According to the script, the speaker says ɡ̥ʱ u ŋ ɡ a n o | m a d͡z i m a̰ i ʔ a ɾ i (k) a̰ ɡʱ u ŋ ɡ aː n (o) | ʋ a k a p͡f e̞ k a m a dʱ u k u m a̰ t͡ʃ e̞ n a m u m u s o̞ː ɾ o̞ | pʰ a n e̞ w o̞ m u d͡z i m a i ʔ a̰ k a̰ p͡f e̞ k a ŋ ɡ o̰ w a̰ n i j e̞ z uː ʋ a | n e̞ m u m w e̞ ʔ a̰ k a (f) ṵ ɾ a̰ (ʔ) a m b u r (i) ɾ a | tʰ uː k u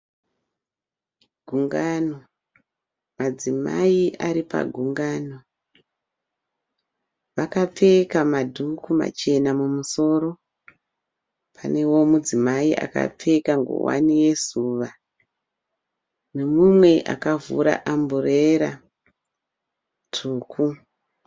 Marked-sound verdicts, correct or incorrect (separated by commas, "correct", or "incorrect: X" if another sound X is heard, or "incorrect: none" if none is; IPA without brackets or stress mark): incorrect: p, correct, incorrect: v, correct, incorrect: e